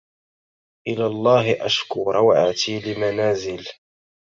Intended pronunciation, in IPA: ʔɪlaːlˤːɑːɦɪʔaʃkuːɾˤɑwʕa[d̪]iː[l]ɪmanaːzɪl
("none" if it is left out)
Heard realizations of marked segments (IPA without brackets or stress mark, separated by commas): t̪, l